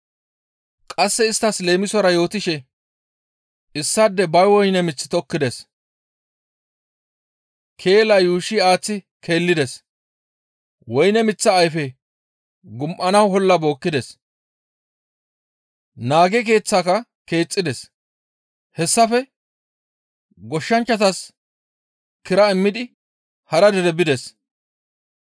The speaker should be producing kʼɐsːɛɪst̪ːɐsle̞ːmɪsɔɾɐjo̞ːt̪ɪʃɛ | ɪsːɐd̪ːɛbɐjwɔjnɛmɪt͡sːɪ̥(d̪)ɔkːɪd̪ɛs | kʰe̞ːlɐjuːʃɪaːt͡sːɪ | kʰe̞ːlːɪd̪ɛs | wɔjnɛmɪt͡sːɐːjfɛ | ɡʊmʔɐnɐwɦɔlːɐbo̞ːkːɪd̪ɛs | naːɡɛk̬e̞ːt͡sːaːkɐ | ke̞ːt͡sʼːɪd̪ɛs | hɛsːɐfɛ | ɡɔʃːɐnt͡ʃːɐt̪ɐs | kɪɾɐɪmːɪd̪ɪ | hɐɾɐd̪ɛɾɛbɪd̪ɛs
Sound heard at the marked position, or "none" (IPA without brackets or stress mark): t̪